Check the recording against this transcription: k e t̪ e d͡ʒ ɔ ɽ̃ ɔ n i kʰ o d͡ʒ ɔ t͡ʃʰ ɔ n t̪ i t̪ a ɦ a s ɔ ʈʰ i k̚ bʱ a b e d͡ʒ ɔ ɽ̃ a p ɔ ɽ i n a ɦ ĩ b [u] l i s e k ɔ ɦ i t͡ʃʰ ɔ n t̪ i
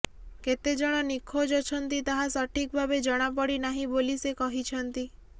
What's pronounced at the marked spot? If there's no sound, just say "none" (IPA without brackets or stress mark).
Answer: o